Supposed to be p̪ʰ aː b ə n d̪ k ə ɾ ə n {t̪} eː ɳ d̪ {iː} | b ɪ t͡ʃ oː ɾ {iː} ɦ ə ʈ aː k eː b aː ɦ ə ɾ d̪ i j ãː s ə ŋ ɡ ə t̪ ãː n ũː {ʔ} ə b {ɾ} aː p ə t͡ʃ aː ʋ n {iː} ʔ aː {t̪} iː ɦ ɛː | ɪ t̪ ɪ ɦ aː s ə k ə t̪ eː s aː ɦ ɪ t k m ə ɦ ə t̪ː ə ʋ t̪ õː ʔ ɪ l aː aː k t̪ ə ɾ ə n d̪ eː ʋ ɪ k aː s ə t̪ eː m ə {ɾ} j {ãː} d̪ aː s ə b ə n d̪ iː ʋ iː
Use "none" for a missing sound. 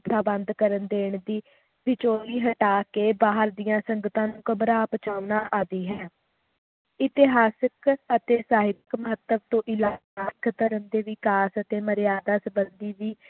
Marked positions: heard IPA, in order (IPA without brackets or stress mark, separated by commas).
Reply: d̪, iː, iː, k, ɾ, aː, d̪, ɾ, aː